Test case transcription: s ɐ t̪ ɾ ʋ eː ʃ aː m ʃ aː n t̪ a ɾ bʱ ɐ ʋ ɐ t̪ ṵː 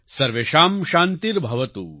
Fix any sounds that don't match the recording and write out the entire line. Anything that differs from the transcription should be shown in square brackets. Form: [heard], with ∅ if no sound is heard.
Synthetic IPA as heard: s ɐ [∅] ɾ ʋ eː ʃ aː m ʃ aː n t̪ [i] ɾ bʱ ɐ ʋ ɐ t̪ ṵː